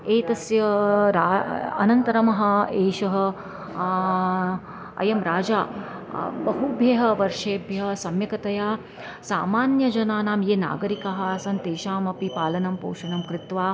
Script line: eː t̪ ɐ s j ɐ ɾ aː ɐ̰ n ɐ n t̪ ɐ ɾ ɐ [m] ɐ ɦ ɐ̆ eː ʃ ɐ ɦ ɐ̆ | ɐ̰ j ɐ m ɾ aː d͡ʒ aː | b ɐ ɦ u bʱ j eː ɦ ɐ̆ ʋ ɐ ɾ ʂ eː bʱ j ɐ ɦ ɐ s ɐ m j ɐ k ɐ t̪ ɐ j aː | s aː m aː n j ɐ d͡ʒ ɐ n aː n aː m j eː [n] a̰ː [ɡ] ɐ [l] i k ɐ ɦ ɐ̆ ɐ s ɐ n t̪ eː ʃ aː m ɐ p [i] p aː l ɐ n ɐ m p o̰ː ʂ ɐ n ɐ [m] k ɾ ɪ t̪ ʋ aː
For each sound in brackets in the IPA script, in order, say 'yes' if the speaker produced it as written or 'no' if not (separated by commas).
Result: yes, yes, yes, no, yes, yes